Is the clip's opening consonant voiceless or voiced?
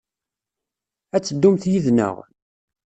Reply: voiceless